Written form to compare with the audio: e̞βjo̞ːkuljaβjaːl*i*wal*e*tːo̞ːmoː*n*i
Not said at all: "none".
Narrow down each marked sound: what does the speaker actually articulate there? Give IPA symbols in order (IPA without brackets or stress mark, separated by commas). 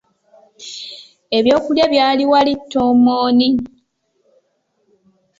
i, i, n